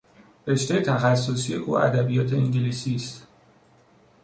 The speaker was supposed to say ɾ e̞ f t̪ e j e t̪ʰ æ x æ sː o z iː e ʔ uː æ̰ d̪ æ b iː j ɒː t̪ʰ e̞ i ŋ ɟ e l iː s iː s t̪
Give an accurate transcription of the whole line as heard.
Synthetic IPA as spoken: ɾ e̞ ʃ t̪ e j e t̪ʰ æ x æ sː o s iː e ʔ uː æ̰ d̪ æ b i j ɒː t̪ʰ e̞ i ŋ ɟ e l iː s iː s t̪

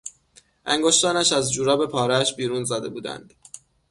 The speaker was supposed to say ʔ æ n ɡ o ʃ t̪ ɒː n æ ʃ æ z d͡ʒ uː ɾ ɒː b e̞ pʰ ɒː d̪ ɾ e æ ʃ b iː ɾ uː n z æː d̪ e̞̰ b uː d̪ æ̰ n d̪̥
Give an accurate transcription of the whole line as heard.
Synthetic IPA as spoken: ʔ æ ŋ ɡ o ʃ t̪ ɒː n æ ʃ æ z d͡ʒ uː ɾ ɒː b e̞ pʰ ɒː ɾ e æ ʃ b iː ɾ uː n z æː d̪ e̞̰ b uː d̪ æ̰ n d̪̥

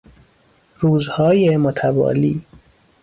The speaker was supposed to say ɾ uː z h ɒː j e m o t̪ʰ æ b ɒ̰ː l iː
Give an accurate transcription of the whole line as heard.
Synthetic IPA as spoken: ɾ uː z h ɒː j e m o t̪ʰ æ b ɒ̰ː l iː

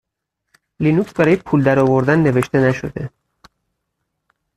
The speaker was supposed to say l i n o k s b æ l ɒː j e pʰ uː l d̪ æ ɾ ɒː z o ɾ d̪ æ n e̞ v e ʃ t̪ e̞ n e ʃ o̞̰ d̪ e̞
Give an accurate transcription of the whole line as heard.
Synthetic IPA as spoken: l i n u k s b æ ɾ ɒː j e pʰ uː l d̪ æ ɾ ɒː v o ɾ d̪ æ nː e̞ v e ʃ t̪ e̞ n æ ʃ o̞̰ d̪ e̞

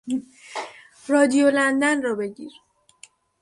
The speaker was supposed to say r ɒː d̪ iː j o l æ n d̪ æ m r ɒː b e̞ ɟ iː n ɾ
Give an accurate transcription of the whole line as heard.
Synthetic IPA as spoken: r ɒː d̪ i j o l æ n d̪ æ n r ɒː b e̞ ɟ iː ɾ

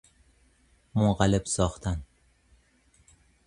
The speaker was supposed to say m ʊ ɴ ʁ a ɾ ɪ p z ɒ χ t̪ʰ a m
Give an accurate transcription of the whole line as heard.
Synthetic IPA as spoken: m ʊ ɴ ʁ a l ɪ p s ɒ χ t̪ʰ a n

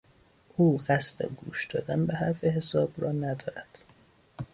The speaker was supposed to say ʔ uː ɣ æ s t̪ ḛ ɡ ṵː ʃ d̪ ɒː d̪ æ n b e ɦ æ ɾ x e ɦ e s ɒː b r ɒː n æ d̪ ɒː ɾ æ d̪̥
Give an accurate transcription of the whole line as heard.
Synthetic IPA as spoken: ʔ uː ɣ æ s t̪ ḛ ɡ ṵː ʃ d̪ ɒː d̪ æ n b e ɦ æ ɾ f e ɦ e s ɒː b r ɒː n æ d̪ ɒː ɾ æ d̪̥

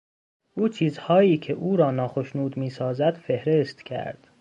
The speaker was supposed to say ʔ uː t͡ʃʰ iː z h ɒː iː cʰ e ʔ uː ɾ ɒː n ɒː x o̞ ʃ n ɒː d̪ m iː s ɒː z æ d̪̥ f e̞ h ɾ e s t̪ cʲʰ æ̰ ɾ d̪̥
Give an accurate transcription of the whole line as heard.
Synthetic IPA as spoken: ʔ uː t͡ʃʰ iː z h ɒː iː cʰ e ʔ uː ɾ ɒː n ɒː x o̞ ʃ n uː d̪ m iː s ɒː z æ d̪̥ f e̞ h ɾ e s t̪ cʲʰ æ̰ ɾ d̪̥

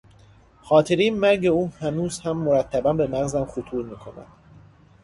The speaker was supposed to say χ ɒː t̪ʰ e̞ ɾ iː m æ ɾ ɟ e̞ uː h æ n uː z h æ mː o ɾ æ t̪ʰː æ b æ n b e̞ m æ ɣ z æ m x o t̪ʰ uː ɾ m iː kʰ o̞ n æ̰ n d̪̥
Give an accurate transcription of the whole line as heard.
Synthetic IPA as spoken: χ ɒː t̪ʰ e̞ ɾ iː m æ ɾ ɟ e̞ uː h æ n uː z h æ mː o ɾ æ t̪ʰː æ b æ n b e̞ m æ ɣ z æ m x o t̪ʰ uː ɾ m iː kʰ o̞ n æ̰ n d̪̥

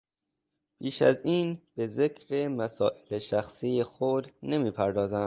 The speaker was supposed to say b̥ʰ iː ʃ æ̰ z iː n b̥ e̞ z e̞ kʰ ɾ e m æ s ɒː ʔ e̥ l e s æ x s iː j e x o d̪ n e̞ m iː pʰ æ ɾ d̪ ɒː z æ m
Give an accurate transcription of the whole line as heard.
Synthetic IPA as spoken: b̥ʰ iː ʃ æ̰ z iː n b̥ e̞ z e̞ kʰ ɾ e m æ s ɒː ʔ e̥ l e ʃ æ x s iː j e x o d̪ n e̞ m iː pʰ æ ɾ d̪ ɒː z æ m

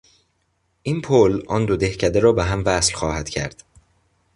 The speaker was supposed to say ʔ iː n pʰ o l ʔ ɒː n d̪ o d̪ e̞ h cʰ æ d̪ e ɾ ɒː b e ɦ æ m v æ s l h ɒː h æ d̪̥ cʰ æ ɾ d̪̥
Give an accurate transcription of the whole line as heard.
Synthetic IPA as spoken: ʔ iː n pʰ o l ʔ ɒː n d̪ o d̪ e̞ h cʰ æ d̪ e ɾ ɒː b e ɦ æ m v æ s l x ɒː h æ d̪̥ cʰ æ ɾ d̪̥

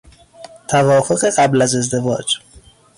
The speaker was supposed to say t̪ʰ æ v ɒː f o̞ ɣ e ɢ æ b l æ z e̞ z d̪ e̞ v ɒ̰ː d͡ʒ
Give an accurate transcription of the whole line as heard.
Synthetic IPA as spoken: t̪ʰ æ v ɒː f o̞ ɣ e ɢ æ b l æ z e̞ z d̪ e̞ v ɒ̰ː d͡ʒ

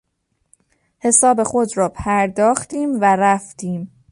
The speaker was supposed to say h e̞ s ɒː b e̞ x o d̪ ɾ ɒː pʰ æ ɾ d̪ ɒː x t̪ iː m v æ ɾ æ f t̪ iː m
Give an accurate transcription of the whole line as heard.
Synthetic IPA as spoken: h e̞ s ɒː b e̞ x o d̪ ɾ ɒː pʰ æ ɾ d̪ ɒː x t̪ iː m v æ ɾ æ f t̪ iː m

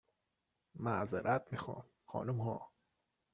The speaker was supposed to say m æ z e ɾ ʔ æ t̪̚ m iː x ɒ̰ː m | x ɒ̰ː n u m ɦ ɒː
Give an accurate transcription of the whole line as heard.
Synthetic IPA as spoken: m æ z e ɾ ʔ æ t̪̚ m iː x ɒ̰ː m | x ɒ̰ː n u m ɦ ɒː

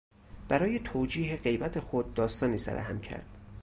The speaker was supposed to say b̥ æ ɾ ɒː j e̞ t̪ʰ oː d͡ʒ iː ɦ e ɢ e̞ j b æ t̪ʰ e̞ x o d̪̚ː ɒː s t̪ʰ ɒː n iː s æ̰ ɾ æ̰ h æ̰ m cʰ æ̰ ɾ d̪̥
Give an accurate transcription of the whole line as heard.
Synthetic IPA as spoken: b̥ æ ɾ ɒː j e̞ t̪ʰ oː d͡ʒ iː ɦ e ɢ e̞ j b æ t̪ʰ e̞ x o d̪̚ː ɒː s t̪ ɒː n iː s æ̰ ɾ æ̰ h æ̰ m cʰ æ̰ ɾ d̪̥

